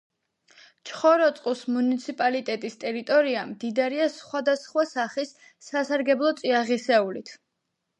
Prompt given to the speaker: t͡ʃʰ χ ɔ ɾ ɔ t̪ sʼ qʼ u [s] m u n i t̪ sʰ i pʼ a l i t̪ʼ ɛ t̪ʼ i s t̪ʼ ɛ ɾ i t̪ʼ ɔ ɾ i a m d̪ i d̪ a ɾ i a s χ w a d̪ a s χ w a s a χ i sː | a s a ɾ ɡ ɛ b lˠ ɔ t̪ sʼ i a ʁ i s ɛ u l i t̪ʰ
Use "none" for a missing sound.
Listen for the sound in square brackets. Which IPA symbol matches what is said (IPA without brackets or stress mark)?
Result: s